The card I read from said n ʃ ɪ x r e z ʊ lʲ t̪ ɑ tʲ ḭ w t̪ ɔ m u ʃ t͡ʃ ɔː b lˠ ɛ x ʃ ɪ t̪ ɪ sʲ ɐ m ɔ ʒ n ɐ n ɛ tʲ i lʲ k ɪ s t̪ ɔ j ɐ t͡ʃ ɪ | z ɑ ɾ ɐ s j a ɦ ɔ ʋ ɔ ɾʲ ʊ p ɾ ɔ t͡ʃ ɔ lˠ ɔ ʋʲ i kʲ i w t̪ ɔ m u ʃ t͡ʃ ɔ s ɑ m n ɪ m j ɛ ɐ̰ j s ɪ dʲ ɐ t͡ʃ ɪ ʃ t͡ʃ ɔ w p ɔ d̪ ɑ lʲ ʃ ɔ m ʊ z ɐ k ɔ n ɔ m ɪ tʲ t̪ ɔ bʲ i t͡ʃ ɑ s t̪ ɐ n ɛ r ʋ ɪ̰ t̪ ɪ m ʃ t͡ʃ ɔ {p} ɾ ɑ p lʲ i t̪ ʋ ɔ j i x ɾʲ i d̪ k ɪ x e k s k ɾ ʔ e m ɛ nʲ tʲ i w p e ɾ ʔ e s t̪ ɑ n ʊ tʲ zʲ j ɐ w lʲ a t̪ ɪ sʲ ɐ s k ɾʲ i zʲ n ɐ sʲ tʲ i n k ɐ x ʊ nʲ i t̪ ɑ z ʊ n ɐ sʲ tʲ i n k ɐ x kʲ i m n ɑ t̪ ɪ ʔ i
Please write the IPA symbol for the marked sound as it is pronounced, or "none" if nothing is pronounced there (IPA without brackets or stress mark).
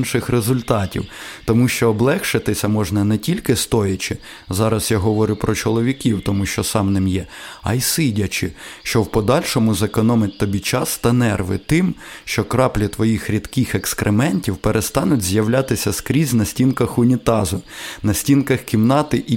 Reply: k